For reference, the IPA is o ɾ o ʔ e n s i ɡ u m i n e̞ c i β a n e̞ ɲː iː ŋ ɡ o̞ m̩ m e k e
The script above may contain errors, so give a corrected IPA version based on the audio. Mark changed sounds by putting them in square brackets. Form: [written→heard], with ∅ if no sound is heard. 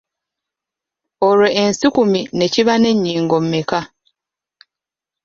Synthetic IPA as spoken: o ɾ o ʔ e n s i [ɡ→k] u m i n e̞ c i β a n e̞ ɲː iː ŋ ɡ o̞ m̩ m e k [e→a]